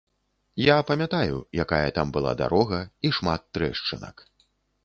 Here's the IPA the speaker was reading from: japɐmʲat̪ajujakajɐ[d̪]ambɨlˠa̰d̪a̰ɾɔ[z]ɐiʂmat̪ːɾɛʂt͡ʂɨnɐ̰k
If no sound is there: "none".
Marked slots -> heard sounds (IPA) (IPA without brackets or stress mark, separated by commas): t̪, ɣ